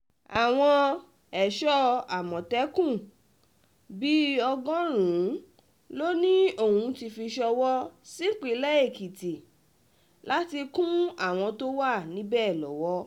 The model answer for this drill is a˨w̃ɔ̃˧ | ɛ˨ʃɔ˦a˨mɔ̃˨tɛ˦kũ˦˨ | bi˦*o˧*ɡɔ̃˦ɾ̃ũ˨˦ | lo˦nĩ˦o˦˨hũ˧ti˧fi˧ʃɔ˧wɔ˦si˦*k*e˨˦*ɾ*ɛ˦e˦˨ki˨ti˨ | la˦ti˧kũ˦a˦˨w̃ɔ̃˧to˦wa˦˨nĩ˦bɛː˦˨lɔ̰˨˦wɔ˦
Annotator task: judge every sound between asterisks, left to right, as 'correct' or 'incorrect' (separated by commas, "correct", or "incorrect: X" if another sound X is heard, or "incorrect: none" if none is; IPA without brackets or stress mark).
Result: incorrect: ɔ˧, incorrect: k͡p, incorrect: l